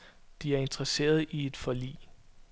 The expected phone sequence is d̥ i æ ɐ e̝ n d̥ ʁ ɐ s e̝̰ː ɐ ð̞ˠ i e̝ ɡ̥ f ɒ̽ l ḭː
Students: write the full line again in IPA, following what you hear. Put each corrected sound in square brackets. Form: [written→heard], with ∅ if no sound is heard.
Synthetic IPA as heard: d̥ i æ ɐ e̝ n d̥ ʁ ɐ s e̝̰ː ɐ ð̞ˠ i e̝ [ɡ̥→d̥] f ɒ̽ l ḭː